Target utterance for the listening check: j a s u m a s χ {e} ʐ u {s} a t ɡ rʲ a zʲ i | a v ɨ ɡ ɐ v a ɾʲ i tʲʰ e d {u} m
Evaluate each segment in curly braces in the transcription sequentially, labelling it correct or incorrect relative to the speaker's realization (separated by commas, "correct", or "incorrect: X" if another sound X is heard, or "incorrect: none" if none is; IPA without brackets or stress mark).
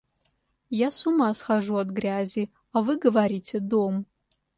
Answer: incorrect: a, incorrect: none, incorrect: o